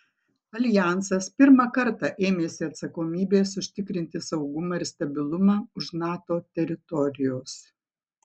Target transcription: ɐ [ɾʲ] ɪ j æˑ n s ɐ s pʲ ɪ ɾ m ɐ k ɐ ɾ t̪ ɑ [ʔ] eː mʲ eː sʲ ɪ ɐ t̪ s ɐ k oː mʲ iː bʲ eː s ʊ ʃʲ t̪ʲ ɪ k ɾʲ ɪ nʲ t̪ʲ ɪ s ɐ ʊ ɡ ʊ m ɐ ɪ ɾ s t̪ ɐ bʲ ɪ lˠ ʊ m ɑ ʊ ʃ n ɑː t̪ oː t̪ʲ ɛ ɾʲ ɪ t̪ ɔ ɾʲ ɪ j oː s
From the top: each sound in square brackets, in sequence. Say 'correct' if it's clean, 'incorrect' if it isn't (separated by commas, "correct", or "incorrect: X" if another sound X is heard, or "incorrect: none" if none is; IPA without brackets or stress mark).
incorrect: lʲ, correct